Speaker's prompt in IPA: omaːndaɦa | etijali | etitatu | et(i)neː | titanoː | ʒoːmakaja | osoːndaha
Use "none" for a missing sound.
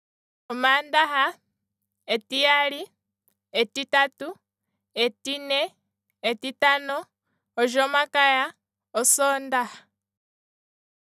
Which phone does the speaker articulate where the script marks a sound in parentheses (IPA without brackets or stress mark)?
i